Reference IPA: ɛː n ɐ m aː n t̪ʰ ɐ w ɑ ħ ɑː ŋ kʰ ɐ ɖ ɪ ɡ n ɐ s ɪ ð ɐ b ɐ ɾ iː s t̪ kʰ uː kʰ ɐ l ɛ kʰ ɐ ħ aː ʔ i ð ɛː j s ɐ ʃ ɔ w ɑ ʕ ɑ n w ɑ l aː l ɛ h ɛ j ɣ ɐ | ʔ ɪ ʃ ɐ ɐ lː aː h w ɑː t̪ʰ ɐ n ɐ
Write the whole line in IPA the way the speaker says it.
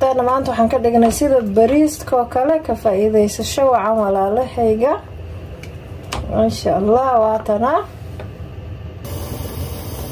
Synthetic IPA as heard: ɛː n ɐ m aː n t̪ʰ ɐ w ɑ ħ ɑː ŋ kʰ ɐ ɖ ɪ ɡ n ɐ s ɪ ð ɐ b ɐ ɾ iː s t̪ kʰ ɔː kʰ ɐ l ɛ kʰ ɐ f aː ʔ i ð ɛ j s ɐ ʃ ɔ w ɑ ʕ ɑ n w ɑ l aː l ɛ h ɛ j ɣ ɐ | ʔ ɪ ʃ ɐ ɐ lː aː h w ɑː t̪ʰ ɐ n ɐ